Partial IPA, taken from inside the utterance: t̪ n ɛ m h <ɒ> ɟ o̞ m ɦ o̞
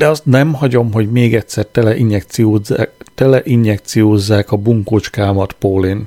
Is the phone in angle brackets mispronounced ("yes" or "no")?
no